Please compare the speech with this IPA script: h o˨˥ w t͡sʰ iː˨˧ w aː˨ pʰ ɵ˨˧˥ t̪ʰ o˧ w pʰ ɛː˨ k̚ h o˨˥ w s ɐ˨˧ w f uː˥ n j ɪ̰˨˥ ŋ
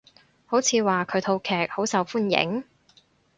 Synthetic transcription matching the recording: h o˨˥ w t͡sʰ iː˨˧ w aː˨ kʰ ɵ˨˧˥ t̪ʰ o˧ w kʰ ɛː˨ k̚ h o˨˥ w s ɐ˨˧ w f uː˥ n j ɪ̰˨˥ ŋ